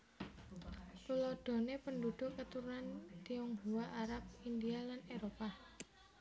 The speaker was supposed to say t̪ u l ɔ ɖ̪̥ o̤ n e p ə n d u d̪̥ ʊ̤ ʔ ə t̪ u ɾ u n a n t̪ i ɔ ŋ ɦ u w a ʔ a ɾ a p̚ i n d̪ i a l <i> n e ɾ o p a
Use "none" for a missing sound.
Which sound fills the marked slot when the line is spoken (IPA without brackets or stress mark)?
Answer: a